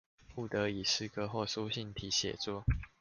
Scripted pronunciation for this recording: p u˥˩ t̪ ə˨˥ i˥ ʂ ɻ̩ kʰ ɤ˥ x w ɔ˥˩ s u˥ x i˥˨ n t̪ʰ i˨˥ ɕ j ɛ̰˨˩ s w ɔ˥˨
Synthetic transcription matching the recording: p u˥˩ t̪ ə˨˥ i˨˩ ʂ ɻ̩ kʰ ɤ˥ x w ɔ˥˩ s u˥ ɕ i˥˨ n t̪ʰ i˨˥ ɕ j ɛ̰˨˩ t͡s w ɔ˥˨